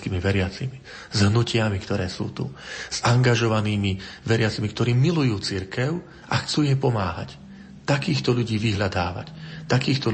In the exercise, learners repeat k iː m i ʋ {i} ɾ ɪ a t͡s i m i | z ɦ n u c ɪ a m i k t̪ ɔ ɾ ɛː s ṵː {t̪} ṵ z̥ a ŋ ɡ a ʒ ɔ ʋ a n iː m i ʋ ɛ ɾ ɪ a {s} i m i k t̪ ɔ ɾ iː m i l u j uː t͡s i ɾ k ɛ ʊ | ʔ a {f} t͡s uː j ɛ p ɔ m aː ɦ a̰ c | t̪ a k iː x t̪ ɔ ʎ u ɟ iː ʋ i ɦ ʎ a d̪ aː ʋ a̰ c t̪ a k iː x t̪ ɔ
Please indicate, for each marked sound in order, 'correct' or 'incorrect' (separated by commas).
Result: incorrect, correct, incorrect, incorrect